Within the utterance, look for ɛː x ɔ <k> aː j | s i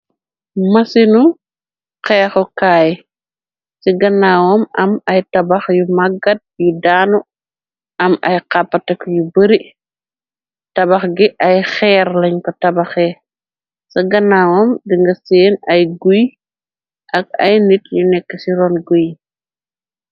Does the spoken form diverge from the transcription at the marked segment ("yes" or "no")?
no